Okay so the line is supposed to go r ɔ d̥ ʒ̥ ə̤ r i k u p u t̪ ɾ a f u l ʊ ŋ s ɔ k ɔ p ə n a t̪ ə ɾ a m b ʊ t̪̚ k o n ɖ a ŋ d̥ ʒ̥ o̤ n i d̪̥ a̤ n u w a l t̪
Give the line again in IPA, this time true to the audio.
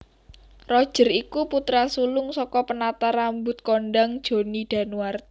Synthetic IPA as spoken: r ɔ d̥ ʒ̥ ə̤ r i k u p u t̪ ɾ a s u l ʊ ŋ s ɔ k ɔ p ə n a t̪ a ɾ a m b ʊ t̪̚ k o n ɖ a ŋ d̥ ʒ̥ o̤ n i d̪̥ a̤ n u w a r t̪

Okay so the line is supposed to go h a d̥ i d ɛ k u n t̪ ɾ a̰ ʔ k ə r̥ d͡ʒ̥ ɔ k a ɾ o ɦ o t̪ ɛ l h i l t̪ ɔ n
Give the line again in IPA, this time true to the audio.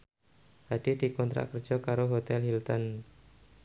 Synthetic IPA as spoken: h a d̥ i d i k ɔ n t̪ ɾ a̰ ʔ k ə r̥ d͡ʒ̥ ɔ k a ɾ o ɦ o t̪ ɛ l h i l t̪ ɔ n

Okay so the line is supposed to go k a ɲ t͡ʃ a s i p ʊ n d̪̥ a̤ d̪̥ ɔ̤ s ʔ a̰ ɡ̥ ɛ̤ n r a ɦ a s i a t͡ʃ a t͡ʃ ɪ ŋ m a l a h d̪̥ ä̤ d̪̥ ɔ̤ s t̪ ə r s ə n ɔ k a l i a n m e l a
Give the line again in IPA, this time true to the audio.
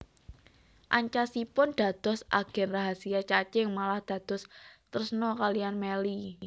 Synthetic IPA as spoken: ʔ a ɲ t͡ʃ a s i p ʊ n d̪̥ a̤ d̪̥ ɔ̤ s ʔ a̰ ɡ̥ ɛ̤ n r a ɦ a s i a t͡ʃ a t͡ʃ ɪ ŋ m a l a h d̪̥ ä̤ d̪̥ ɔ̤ s t̪ ə r s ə n ɔ k a l i a n m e l i

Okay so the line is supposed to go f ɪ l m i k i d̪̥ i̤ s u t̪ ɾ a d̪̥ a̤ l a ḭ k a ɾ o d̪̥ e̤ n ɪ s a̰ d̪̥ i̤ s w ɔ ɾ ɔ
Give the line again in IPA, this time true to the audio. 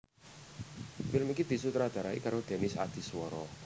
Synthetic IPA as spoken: f ɪ l m i k i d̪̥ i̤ s u t̪ ɾ a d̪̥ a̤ ɾ a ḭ k a ɾ o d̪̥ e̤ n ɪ s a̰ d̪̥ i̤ s w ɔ ɾ ɔ

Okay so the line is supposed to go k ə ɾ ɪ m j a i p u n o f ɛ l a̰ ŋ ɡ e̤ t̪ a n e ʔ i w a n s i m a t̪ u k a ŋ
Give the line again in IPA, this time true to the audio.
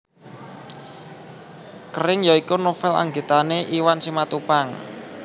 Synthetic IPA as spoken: k ə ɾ ɪ ŋ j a i k u n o f ɛ l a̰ ŋ ɡ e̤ t̪ a n e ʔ i w a n s i m a t̪ u p a ŋ

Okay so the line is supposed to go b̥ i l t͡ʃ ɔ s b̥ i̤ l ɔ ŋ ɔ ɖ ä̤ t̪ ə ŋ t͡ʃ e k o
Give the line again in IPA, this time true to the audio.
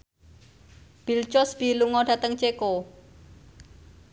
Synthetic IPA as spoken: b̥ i l t͡ʃ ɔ s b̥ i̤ l u ŋ ɔ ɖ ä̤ t̪ ə ŋ t͡ʃ e k o

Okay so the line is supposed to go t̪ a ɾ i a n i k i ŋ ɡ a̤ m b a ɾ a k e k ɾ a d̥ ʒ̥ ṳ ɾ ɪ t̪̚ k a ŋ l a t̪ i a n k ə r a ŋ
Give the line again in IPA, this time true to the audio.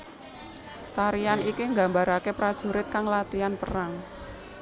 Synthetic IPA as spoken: t̪ a ɾ i a n i k i ŋ ɡ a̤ m b a ɾ a k e p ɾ a d̥ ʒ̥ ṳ ɾ ɪ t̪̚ k a ŋ l a t̪ i a n p ə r a ŋ

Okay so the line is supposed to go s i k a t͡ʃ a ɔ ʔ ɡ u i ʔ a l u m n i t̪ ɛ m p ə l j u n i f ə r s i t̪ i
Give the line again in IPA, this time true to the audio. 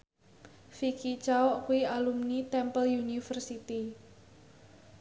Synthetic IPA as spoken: f i k i t͡ʃ a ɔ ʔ k u i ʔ a l u m n i t̪ ɛ m p ə l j u n i f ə r s i t̪ i

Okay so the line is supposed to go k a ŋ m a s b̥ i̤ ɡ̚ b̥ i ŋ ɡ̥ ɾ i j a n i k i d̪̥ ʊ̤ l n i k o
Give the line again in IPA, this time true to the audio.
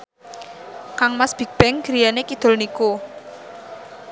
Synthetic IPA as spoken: k a ŋ m a s b̥ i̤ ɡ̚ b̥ ɛ ŋ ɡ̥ ɾ i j a n e k i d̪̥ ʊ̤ l n i k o

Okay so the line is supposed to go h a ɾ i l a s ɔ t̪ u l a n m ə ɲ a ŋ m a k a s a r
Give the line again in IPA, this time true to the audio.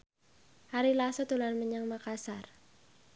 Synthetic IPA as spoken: h a ɾ i l a s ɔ t̪ u l a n m ə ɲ a ŋ m a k a s a r

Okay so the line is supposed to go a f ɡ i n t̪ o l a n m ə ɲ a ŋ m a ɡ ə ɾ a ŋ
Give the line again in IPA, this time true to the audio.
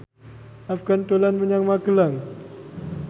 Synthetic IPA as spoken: a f ɡ a n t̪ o l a n m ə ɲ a ŋ m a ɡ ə l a ŋ

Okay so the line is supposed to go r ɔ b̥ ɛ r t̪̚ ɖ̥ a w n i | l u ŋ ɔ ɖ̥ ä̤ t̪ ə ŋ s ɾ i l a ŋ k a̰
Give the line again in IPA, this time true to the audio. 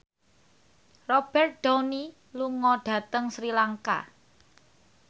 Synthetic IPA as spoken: r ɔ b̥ ɛ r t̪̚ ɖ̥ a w n i | l u ŋ ɔ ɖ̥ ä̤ t̪ ə ŋ s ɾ i l a ŋ k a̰

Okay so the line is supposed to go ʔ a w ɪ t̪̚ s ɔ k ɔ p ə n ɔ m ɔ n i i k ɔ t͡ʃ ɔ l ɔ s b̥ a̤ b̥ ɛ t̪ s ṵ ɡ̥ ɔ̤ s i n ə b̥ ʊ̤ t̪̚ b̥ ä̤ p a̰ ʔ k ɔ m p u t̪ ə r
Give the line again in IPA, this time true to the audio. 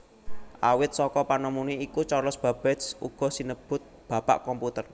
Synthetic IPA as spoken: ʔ a w ɪ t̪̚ s ɔ k ɔ p a n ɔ m u n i i k u t͡ʃ ɔ l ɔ s b̥ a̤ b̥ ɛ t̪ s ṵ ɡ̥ ɔ̤ s i n ə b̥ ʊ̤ t̪̚ b̥ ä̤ p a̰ ʔ k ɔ m p u t̪ ə r

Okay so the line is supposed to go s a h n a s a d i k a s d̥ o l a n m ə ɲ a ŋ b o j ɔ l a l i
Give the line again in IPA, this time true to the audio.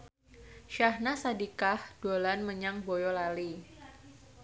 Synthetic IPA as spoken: ʃ a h n a s a d i k a h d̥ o l a n m ə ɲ a ŋ b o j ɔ l a l i

